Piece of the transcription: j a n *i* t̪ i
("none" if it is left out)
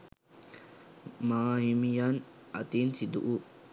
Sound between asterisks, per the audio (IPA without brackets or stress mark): a